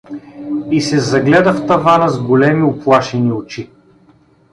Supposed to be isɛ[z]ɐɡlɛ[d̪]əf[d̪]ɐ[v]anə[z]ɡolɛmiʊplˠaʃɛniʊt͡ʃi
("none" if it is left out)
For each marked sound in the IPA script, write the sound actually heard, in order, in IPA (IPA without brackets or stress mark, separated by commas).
z, d̪, t̪, v, z